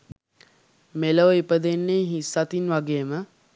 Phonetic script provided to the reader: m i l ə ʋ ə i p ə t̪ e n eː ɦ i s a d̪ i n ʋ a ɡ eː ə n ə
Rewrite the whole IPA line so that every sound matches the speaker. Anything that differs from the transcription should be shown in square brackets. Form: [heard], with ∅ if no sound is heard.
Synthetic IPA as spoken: m [e] l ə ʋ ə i p ə [d̪] e [nː] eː ɦ i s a [t̪] i n ʋ a ɡ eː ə [m] ə